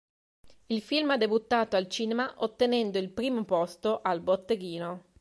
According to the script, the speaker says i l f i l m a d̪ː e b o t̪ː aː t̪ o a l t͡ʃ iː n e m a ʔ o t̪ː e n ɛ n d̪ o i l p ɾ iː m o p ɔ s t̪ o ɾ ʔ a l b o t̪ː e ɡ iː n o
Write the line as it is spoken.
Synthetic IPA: i l f i l m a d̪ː e b u t̪ː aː t̪ o a l t͡ʃ iː n e m a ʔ o t̪ː e n ɛ n d̪ o i l p ɾ iː m o p ɔ s t̪ o ʔ a l b o t̪ː e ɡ iː n o